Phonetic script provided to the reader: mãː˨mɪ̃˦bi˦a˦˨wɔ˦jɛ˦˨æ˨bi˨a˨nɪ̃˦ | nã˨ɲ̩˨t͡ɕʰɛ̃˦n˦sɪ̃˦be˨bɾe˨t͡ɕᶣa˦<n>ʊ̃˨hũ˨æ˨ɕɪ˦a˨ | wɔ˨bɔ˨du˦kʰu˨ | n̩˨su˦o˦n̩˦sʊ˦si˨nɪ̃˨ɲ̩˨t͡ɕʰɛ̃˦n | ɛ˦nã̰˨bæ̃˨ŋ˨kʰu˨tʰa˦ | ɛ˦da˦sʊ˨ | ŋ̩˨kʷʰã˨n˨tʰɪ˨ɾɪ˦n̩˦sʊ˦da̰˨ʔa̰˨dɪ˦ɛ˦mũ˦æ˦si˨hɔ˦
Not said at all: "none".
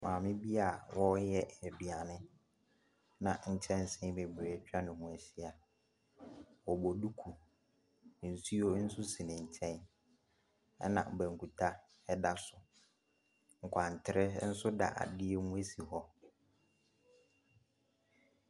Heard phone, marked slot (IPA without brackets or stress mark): n